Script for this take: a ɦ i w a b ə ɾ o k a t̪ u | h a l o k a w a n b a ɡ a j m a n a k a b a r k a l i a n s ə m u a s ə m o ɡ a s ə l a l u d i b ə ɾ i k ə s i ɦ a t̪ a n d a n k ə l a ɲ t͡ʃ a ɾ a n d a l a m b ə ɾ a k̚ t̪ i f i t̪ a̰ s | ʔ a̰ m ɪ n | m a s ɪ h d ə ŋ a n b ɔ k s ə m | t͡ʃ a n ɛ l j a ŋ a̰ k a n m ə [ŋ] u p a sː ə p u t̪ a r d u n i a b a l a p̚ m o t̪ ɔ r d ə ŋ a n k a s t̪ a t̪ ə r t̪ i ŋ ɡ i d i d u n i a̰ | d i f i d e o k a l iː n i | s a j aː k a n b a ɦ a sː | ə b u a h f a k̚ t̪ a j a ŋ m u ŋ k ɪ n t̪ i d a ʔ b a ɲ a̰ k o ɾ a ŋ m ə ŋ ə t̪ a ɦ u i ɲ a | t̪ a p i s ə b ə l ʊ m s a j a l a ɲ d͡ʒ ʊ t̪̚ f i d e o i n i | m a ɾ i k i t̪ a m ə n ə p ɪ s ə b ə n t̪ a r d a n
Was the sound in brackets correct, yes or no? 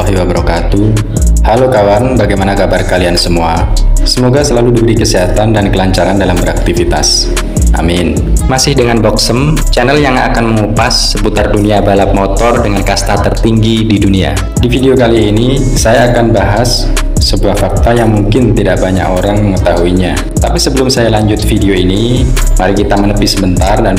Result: yes